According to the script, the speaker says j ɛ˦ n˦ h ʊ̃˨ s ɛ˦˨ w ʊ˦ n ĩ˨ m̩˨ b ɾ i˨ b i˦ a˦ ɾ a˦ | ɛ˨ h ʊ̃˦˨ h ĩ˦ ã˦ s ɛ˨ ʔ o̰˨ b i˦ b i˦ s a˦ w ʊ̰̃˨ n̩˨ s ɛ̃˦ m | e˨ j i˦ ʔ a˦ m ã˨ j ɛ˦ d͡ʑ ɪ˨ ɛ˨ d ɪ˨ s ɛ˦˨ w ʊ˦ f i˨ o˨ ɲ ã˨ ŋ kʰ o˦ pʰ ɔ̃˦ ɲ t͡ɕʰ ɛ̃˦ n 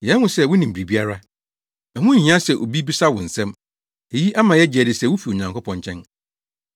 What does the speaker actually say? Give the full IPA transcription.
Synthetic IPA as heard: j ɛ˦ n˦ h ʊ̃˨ s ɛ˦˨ w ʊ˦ n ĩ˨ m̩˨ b ɾ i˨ b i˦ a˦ ɾ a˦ | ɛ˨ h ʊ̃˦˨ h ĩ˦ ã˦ s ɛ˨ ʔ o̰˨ b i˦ b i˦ s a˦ w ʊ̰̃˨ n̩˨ s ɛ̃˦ m | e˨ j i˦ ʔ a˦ m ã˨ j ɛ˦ d͡ʑ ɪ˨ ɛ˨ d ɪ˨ s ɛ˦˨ w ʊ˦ f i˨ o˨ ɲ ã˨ ŋ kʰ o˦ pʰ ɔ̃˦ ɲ t͡ɕʰ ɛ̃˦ n